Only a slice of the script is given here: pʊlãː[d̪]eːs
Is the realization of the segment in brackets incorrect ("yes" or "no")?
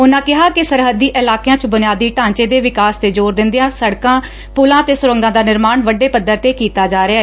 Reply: yes